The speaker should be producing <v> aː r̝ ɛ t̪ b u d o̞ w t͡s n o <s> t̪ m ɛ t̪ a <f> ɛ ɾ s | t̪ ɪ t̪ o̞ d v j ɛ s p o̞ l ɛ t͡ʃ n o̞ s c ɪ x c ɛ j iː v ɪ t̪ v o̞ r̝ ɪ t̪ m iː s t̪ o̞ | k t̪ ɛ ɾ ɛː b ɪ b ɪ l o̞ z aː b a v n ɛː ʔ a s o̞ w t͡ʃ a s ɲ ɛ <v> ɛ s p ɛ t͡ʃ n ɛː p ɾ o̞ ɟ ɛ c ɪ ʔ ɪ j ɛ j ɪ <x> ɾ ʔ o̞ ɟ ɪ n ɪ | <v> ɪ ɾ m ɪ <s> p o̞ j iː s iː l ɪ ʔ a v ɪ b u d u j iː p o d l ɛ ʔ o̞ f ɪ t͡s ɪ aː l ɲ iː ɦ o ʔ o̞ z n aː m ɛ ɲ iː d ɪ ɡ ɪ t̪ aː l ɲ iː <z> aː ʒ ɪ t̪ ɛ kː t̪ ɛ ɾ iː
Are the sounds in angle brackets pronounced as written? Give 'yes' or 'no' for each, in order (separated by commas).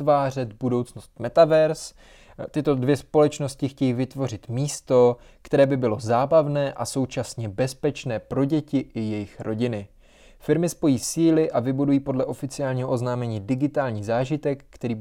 yes, yes, no, no, yes, no, yes, yes